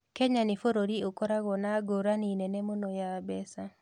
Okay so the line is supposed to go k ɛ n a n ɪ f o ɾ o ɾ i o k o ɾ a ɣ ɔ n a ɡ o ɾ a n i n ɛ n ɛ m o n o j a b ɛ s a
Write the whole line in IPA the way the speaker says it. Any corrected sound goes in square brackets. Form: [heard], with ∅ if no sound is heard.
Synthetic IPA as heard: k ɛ [ɲ] a n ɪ f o ɾ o ɾ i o k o ɾ a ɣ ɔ n a ɡ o ɾ a n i n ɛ n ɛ m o n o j a b ɛ s a